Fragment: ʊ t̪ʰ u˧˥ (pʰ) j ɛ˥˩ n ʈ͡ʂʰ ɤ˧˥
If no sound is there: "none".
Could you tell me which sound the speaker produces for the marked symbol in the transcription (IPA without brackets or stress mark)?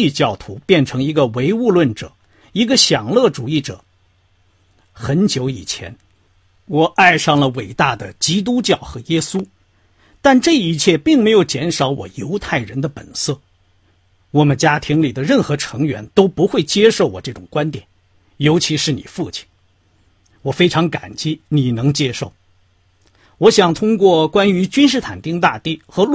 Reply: p